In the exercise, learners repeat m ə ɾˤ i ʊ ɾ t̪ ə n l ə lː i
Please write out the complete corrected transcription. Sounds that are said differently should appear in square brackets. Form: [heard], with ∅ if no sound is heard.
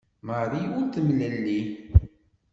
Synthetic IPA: m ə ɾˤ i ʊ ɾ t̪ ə [m] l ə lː i